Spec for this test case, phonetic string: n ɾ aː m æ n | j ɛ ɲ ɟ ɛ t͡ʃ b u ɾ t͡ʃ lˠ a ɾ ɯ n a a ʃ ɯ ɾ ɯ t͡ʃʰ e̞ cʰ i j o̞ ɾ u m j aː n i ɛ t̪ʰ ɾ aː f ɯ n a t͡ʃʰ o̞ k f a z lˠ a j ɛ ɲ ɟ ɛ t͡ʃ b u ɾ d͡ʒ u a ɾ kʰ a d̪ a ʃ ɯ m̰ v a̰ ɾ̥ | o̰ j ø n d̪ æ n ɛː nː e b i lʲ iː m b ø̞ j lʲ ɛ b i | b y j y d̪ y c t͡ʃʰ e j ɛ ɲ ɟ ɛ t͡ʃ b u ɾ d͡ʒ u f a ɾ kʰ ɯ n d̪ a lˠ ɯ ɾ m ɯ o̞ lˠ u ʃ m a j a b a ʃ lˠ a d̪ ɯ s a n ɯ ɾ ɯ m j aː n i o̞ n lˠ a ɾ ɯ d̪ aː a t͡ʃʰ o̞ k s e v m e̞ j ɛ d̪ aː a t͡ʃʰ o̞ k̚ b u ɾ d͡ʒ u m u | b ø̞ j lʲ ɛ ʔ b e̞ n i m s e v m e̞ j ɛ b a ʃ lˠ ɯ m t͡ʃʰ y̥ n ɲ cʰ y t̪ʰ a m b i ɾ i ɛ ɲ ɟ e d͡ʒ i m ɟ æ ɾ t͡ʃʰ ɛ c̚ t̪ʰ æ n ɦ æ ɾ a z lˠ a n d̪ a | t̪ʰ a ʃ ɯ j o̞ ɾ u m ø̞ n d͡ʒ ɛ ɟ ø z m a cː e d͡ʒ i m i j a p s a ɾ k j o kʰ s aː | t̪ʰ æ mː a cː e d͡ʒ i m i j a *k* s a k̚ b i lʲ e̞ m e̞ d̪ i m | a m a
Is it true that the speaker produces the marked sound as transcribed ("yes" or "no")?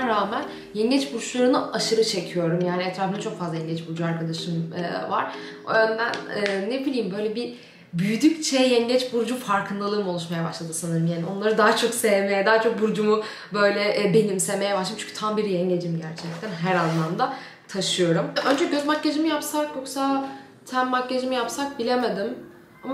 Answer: no